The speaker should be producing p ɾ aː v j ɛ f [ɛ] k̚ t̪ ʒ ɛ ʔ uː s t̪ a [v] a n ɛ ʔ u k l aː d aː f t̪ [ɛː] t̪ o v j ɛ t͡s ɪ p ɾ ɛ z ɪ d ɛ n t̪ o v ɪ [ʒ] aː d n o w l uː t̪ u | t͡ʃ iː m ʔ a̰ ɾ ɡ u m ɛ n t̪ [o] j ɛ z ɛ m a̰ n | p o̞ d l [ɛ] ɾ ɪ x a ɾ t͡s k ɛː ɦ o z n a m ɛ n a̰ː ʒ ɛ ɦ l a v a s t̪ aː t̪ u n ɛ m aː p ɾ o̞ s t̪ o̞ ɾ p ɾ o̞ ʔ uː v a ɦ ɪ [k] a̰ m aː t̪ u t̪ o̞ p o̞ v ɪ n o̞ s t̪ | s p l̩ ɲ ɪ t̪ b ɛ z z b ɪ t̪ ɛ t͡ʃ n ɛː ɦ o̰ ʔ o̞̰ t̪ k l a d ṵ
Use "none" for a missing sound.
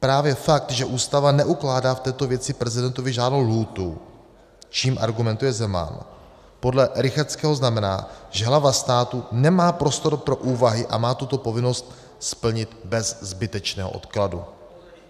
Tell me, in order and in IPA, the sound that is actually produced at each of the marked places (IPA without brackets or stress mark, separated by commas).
a, v, ɛː, ʒ, u, ɛ, ʔ